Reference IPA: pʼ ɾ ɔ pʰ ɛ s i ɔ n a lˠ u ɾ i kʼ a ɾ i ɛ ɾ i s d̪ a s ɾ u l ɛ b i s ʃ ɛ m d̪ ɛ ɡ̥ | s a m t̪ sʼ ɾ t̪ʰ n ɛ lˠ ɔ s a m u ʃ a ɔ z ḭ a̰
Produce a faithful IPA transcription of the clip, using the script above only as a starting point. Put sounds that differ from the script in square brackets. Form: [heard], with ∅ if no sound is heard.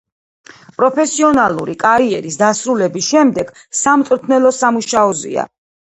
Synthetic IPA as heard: pʼ ɾ ɔ pʰ ɛ s i ɔ n a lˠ u ɾ i kʼ a ɾ i ɛ ɾ i s d̪ a s ɾ u l ɛ b i s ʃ ɛ m d̪ ɛ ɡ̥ | s a m t̪ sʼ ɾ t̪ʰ n ɛ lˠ ɔ s a m u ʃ a ɔ z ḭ a̰